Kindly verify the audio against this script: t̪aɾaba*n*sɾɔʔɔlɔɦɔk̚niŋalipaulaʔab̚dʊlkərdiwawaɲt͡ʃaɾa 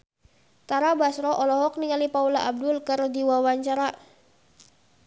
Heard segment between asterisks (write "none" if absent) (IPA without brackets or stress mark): none